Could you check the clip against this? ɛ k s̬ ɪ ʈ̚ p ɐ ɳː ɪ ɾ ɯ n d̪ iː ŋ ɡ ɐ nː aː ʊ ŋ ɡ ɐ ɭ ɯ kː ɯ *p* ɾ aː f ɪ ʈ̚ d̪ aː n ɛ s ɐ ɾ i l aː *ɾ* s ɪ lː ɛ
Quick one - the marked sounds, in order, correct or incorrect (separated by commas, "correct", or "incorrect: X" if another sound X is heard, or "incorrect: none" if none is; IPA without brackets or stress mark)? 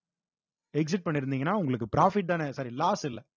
correct, incorrect: none